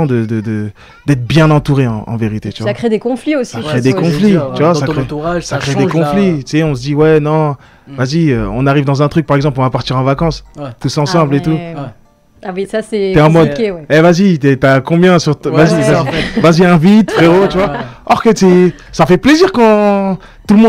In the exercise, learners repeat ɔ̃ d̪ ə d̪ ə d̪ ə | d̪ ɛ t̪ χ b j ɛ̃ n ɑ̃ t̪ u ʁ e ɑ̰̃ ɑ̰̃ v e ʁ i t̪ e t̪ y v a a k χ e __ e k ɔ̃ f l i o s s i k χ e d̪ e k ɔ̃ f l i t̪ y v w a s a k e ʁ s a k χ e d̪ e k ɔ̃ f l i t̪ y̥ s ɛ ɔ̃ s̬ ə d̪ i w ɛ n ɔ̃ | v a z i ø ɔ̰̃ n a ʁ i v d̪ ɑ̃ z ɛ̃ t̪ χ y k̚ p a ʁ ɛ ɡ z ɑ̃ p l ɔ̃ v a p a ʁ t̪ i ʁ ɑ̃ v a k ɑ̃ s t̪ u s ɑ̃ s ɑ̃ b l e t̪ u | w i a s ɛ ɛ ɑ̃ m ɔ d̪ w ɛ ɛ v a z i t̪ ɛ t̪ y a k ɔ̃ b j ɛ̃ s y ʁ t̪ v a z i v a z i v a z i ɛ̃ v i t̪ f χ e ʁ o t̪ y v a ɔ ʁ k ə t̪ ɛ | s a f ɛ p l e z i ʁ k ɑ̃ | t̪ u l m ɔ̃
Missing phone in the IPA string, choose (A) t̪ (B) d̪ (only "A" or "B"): B